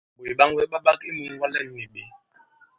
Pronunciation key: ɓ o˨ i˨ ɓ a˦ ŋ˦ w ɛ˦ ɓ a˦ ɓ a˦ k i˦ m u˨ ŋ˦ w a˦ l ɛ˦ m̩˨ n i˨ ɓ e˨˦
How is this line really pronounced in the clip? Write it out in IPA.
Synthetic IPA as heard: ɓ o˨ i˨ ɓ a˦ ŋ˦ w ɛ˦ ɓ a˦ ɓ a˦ k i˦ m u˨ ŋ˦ w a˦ l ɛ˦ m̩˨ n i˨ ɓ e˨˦

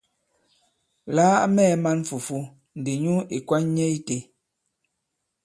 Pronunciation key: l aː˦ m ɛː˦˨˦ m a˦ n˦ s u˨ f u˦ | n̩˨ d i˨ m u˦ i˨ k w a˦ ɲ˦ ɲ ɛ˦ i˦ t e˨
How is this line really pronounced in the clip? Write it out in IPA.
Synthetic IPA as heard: l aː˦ m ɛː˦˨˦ m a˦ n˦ f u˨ f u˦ | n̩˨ d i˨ ɲ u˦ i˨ k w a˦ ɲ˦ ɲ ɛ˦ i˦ t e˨

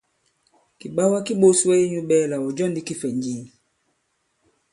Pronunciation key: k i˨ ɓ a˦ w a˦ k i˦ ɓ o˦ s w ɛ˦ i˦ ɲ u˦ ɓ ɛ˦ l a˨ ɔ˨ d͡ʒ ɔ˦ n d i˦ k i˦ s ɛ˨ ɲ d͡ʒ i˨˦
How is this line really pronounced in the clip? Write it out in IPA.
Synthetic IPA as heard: k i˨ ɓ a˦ w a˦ k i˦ ɓ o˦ s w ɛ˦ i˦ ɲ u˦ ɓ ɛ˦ l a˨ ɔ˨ d͡ʒ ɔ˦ n d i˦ k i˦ f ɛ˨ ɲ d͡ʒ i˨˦

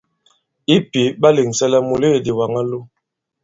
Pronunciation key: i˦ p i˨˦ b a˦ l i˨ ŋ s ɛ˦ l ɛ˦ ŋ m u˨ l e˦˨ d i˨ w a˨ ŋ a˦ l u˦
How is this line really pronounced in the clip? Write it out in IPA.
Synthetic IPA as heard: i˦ p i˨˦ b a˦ l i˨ ŋ s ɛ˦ l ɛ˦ m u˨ l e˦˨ d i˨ w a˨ ŋ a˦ l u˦

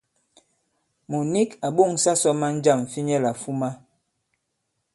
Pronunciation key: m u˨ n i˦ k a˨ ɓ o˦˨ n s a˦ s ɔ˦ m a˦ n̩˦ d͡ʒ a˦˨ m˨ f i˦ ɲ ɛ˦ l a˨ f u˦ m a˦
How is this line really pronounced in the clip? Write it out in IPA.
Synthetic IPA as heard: m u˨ n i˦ k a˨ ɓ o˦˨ ŋ s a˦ s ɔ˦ m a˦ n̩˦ d͡ʒ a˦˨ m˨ f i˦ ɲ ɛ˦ l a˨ f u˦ m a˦

